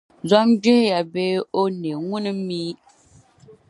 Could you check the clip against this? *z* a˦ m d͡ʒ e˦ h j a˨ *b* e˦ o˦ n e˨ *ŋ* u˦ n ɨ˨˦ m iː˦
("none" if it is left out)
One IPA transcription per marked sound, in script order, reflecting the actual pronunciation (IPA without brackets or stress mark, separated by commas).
z, b, ŋ